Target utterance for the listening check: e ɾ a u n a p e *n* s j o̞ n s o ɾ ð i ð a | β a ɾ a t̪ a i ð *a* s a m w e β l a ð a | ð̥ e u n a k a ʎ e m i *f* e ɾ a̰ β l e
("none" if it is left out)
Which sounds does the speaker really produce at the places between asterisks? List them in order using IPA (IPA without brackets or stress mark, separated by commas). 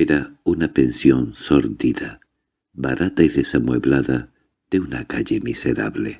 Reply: n, e, s